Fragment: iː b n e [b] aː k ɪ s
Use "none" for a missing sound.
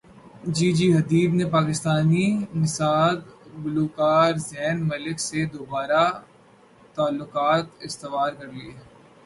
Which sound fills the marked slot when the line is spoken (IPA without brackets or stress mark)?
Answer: p